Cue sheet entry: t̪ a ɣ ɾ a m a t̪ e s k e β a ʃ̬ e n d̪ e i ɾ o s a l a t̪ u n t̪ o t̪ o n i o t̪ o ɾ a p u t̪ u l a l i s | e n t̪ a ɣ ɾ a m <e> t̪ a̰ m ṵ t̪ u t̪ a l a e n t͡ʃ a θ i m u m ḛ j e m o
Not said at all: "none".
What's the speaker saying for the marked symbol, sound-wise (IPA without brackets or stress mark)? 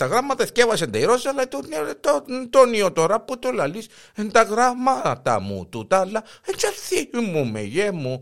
a